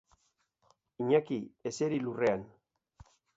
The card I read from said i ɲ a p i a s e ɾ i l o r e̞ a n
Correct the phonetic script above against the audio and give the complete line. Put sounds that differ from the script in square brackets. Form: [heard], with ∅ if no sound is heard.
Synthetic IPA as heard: i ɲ a [k] i [e] s e ɾ i l [u] r e̞ a n